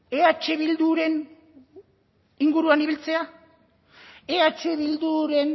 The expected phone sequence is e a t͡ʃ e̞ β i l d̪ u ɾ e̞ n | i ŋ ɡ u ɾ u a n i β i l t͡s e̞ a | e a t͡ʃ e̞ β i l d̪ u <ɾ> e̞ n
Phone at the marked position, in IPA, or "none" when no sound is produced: ɾ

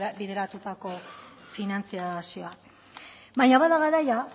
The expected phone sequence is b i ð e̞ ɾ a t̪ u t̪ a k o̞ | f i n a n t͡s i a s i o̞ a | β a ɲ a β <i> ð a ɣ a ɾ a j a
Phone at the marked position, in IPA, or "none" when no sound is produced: a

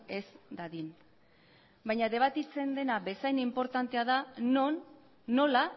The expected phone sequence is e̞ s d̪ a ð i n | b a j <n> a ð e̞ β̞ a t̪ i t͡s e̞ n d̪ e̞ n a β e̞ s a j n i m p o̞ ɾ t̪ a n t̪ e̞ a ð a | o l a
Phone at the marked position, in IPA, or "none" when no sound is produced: ɲ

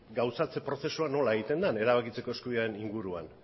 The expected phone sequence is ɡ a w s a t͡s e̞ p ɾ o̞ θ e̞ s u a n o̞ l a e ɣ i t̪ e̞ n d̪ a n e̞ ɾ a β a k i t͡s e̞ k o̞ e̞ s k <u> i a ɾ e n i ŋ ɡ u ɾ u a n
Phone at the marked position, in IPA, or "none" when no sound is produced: u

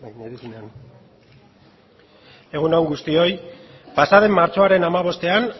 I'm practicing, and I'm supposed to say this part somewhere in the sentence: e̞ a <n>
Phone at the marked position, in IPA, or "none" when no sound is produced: n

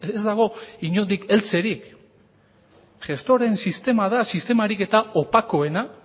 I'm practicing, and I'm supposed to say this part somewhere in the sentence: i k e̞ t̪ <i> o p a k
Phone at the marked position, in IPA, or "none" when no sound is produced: a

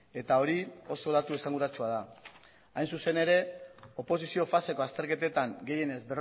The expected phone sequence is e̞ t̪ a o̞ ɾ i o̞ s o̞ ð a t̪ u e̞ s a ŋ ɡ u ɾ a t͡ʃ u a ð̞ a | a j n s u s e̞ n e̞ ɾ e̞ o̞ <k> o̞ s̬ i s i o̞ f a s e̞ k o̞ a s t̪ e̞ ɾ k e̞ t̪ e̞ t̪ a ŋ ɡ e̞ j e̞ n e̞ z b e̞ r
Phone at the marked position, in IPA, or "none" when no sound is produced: p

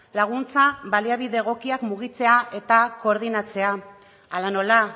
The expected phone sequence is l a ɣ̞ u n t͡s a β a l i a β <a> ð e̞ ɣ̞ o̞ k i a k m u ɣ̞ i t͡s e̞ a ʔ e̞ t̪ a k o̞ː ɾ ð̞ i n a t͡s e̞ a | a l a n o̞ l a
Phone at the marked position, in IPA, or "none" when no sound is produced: i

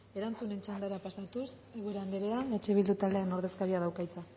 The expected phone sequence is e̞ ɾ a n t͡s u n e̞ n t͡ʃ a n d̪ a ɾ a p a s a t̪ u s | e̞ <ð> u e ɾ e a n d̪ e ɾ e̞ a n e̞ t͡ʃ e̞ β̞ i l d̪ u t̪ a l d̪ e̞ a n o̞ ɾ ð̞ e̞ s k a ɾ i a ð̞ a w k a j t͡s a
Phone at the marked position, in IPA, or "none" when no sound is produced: ɣ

